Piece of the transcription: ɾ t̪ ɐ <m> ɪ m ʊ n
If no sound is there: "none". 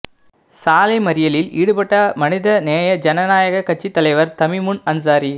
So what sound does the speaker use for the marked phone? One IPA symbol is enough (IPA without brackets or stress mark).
m